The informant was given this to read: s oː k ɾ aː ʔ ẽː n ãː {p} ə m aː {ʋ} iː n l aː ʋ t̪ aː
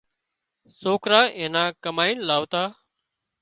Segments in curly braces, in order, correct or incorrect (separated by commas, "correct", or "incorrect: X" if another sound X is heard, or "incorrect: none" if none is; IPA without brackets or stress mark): incorrect: k, incorrect: none